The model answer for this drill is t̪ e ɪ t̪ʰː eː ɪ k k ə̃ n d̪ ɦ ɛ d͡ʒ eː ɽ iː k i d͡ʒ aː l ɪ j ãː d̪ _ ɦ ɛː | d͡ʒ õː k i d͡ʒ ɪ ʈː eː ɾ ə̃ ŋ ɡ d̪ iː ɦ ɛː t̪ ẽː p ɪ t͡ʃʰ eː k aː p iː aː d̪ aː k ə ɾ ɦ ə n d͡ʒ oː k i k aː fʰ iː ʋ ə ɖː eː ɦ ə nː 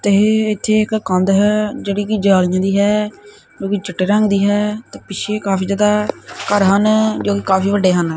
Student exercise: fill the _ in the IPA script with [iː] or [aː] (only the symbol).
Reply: iː